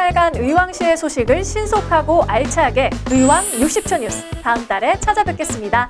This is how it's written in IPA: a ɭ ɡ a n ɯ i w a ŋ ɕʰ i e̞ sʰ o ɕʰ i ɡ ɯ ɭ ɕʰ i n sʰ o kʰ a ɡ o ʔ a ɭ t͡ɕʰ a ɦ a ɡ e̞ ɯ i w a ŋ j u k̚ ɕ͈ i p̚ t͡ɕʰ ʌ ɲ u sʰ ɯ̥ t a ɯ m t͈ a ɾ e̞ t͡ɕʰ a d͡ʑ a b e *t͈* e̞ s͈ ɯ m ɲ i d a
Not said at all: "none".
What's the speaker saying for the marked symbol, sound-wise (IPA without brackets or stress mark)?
k͈